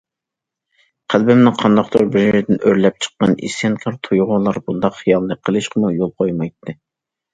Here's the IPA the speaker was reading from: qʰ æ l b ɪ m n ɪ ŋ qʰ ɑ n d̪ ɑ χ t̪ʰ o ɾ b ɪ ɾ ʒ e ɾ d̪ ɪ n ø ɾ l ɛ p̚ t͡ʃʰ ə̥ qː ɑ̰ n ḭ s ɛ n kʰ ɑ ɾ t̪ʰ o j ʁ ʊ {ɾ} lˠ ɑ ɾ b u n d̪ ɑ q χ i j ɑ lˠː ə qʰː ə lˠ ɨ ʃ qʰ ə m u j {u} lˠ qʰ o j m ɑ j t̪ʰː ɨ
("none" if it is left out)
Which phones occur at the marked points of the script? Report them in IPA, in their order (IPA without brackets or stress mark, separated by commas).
none, o